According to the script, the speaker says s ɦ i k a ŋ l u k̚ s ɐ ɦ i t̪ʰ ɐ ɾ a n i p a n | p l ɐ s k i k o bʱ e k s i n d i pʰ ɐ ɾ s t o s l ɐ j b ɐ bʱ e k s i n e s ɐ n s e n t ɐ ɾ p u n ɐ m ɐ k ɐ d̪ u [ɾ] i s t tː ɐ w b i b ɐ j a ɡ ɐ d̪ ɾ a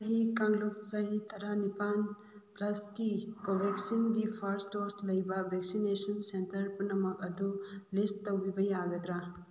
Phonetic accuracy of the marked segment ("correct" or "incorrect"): incorrect